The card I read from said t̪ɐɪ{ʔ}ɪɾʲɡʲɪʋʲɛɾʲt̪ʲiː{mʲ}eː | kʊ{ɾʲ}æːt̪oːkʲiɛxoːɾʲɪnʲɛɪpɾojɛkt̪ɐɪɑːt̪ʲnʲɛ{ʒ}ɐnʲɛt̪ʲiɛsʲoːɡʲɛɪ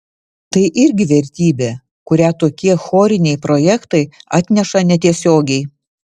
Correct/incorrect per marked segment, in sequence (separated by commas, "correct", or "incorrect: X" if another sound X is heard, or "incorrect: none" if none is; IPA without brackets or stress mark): correct, incorrect: bʲ, correct, incorrect: ʃ